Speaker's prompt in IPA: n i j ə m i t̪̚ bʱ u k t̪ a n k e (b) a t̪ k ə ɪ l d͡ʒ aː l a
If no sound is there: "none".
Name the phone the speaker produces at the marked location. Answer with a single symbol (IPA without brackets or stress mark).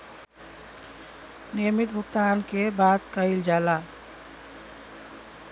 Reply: b